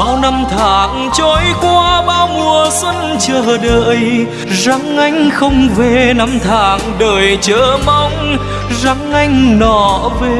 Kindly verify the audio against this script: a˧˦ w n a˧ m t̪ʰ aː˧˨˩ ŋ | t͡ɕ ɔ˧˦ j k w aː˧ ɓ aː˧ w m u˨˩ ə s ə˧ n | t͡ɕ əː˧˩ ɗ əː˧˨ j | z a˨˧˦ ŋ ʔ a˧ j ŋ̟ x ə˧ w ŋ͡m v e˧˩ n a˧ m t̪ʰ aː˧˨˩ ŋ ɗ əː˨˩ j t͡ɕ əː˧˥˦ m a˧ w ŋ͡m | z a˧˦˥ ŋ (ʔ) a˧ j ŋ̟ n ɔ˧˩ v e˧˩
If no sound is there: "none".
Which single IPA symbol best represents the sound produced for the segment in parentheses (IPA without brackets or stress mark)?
ʔ